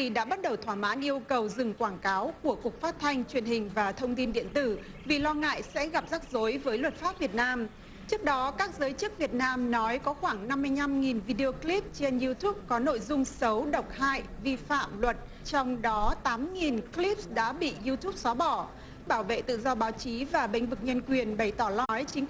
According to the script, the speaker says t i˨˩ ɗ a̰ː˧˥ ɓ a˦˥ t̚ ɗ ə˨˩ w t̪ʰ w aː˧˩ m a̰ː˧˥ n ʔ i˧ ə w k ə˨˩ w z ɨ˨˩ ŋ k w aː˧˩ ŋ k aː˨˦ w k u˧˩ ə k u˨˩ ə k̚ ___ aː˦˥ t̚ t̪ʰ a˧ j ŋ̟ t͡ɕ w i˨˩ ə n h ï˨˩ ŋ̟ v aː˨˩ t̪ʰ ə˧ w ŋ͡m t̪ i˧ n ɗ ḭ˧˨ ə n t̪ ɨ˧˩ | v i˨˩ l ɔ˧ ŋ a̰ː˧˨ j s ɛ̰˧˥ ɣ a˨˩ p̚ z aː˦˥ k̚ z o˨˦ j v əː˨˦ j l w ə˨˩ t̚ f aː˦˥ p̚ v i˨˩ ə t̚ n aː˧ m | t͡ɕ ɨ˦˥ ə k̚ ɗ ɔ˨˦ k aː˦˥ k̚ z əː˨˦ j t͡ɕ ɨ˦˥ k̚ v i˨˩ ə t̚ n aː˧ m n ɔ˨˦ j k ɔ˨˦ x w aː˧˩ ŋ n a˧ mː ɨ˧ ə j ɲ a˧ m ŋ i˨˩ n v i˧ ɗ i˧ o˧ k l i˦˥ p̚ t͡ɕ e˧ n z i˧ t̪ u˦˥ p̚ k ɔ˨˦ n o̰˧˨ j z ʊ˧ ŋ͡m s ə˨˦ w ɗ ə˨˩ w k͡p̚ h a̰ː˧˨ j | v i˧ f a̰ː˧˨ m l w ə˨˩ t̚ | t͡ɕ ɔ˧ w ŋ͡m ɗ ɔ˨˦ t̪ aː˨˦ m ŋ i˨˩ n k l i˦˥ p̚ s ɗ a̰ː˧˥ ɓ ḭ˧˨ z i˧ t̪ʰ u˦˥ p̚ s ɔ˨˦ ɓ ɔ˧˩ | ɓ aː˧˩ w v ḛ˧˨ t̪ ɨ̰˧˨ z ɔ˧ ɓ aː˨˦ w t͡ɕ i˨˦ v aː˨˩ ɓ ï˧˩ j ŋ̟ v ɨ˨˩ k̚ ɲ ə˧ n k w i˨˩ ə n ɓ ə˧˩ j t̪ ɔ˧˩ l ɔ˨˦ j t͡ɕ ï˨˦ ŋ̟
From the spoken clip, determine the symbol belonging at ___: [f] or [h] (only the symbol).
f